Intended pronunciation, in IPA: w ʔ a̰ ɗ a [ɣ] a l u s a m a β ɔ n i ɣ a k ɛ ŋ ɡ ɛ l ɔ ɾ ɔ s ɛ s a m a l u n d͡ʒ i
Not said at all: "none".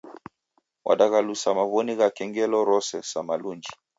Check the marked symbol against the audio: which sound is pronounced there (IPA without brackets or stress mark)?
ɣ